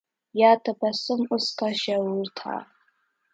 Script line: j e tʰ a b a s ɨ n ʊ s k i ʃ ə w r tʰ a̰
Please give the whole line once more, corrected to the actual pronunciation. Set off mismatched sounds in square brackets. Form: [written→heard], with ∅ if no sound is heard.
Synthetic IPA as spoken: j [e→a] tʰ a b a s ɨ [n→m] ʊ s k [i→a] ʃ [ə→a] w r tʰ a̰